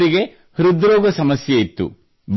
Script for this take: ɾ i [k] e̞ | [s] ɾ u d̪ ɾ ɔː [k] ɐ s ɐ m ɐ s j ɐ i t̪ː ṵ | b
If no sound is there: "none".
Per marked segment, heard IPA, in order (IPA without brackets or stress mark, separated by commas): ɡ, h, ɡ